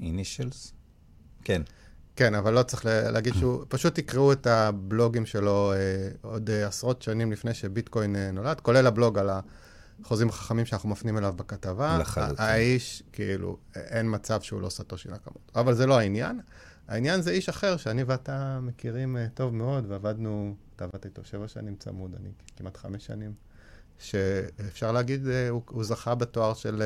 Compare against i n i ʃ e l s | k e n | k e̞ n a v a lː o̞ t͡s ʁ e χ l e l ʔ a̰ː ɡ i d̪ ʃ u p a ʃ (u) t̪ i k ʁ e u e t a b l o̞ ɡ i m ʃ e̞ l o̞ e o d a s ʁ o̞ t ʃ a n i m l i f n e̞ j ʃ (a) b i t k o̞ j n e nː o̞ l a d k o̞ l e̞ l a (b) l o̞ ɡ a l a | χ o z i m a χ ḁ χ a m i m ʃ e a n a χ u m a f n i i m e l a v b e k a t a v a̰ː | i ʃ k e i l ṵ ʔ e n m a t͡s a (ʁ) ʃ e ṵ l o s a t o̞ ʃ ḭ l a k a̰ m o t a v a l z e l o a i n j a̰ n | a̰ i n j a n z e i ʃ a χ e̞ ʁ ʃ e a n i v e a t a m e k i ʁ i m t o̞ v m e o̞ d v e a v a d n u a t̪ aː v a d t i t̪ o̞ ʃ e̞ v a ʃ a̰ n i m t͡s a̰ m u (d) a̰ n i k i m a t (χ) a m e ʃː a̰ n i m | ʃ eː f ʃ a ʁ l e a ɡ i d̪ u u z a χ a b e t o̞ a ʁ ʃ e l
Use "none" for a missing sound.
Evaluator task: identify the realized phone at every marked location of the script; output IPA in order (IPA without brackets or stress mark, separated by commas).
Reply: u, e, b, v, d, χ